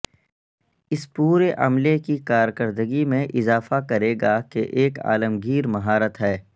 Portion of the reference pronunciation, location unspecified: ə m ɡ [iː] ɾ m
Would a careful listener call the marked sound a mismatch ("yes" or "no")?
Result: no